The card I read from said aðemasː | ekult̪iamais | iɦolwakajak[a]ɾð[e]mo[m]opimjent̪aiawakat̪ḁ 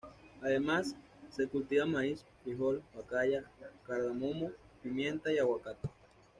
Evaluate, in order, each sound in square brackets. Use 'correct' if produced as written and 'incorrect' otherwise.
correct, incorrect: a, correct

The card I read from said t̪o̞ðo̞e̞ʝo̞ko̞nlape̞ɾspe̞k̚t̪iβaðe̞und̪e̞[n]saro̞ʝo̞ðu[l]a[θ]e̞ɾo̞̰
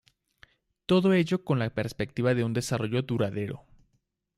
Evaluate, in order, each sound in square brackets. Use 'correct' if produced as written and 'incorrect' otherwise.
incorrect: none, incorrect: ɾ, incorrect: ð

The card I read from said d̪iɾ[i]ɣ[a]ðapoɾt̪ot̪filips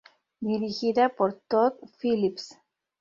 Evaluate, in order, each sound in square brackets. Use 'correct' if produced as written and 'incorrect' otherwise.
correct, incorrect: i

